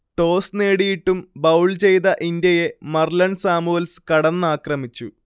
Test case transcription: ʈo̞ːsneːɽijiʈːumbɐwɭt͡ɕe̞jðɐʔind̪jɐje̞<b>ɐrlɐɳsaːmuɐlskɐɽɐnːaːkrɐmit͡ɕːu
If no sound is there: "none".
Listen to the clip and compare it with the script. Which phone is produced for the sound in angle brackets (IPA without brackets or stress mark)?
m